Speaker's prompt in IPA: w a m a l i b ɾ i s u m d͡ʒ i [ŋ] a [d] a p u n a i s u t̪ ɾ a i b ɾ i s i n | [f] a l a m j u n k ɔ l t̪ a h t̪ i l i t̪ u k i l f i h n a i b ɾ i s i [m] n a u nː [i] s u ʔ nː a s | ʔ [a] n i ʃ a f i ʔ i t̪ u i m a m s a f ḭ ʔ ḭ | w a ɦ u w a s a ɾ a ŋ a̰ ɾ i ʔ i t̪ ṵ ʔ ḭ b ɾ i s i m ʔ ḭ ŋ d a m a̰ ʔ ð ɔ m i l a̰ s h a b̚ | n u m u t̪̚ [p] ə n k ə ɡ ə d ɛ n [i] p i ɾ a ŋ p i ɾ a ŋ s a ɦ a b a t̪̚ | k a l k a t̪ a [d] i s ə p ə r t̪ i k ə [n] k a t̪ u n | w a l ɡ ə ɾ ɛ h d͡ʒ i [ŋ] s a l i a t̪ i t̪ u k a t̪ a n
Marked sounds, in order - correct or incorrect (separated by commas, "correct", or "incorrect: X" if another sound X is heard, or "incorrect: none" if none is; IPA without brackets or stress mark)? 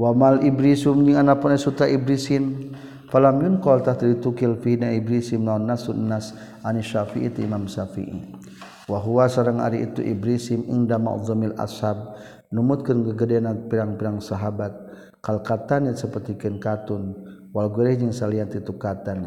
correct, incorrect: n, correct, correct, incorrect: a, correct, incorrect: k, incorrect: a, incorrect: n, correct, correct